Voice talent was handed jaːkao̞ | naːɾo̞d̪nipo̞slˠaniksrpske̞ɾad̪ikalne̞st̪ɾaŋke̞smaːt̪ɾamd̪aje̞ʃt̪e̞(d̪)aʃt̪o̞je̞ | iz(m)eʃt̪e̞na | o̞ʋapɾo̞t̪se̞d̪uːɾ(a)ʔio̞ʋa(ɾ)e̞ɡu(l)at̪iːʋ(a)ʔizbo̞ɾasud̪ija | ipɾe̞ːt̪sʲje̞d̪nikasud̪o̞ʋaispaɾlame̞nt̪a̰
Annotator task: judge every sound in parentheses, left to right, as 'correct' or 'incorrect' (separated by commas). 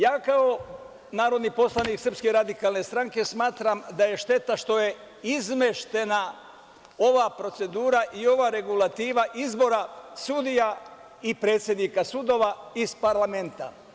incorrect, correct, correct, correct, correct, correct